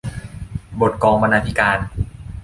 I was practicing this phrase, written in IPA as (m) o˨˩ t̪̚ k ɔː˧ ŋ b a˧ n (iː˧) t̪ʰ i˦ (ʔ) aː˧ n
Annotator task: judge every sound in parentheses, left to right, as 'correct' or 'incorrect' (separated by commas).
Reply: incorrect, incorrect, incorrect